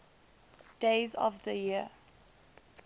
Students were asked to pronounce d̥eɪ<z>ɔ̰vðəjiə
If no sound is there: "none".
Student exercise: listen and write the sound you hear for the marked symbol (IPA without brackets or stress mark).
z